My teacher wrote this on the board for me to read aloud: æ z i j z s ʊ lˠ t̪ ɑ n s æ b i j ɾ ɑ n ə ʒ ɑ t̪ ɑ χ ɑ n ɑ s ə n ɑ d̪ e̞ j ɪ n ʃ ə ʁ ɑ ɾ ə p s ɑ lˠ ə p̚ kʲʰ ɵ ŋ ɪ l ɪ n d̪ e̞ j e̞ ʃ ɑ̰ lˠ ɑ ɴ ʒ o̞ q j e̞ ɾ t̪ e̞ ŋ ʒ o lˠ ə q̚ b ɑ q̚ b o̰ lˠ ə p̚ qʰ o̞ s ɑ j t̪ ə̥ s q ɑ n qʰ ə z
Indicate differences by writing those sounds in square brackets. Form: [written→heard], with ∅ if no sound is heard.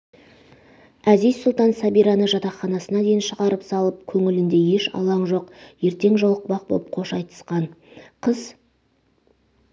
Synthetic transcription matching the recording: æ z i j z s ʊ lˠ t̪ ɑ n s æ b i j ɾ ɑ n ə ʒ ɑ t̪ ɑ χ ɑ n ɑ s ə n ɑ d̪ e̞ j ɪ n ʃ ə ʁ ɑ ɾ ə p s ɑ lˠ ə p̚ kʲʰ ɵ ŋ ɪ l ɪ n d̪ e̞ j e̞ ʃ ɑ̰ lˠ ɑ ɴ ʒ o̞ q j e̞ ɾ t̪ e̞ ŋ ʒ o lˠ ə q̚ b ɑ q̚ b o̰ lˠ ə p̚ qʰ o̞ [s→ʃ] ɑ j t̪ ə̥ s q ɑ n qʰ ə z